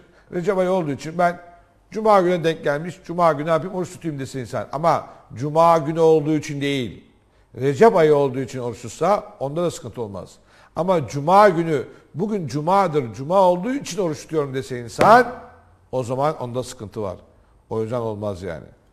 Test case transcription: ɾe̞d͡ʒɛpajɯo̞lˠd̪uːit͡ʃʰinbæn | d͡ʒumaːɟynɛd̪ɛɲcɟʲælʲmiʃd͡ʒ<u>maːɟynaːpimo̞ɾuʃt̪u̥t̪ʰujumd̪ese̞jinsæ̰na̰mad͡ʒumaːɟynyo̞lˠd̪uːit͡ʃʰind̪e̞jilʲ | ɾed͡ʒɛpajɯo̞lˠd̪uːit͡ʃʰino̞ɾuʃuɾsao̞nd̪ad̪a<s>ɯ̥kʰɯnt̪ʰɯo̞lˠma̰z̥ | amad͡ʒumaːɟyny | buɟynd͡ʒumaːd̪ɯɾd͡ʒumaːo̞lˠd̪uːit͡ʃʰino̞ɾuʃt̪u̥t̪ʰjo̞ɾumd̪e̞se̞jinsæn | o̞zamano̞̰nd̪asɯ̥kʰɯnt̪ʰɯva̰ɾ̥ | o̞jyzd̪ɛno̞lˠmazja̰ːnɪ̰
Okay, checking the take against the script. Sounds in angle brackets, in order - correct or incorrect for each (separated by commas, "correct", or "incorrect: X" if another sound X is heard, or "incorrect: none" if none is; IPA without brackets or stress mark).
correct, correct